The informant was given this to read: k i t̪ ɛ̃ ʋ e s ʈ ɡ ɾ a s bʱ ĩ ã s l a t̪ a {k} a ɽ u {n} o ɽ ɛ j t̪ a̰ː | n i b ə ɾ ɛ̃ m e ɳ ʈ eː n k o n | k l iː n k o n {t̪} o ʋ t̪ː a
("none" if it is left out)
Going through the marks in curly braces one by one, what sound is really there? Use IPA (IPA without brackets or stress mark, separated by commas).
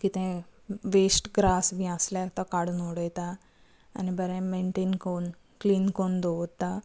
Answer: k, n, d̪